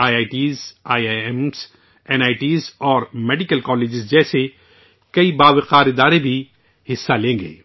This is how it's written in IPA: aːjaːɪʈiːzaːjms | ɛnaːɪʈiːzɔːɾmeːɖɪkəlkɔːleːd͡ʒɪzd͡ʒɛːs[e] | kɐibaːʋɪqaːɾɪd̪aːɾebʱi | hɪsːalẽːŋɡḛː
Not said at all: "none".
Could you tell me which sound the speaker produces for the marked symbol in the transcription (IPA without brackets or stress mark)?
e